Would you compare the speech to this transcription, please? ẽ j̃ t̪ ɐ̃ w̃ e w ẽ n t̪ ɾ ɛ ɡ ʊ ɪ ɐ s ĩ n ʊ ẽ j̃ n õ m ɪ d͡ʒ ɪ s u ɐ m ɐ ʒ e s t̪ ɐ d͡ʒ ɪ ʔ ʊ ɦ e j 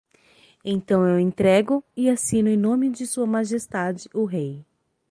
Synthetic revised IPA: ẽ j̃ t̪ ɐ̃ w̃ e w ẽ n t̪ ɾ ɛ ɡ ʊ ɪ a s ĩ n ʊ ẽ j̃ n õ m ɪ d͡ʒ ɪ s u ɐ m a ʒ e s t̪ a d͡ʒ ɪ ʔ ʊ ɦ e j